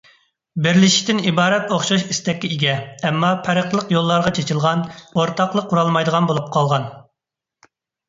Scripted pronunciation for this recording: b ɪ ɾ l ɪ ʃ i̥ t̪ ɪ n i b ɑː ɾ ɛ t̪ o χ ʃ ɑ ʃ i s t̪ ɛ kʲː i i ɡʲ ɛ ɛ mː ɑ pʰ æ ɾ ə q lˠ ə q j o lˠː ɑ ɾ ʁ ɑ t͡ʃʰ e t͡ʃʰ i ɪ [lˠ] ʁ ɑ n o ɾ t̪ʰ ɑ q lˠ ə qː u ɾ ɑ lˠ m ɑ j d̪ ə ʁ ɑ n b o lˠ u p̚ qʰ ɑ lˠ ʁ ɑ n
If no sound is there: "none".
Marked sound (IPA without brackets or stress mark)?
lˠ